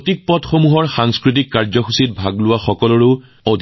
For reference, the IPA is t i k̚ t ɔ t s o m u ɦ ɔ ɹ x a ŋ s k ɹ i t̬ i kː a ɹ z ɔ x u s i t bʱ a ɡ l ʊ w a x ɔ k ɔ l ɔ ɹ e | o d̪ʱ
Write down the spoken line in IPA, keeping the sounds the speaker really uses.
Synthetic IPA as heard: t i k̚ p ɔ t x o m u ɦ ɔ ɹ x a ŋ s k ɹ i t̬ i kː a ɹ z ɔ x u s i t bʱ a ɡ l ʊ w a x ɔ k ɔ l ɔ ɹ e | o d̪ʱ